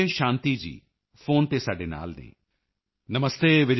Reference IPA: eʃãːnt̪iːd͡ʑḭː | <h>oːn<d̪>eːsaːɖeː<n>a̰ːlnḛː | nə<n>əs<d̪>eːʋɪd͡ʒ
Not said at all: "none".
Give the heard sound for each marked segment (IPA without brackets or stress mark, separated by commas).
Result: f, t̪, n, m, t̪